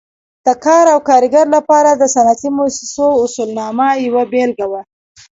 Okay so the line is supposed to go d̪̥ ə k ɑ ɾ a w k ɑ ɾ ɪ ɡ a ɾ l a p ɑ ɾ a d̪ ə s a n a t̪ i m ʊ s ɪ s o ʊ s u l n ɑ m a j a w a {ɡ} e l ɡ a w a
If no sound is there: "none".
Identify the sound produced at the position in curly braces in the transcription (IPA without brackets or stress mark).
b